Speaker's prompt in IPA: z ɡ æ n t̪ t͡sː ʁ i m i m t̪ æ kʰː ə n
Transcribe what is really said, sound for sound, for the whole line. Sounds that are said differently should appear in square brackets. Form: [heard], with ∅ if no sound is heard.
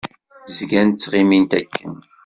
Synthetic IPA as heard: z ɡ æ n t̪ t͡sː ʁ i m i [n] t̪ æ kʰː ə n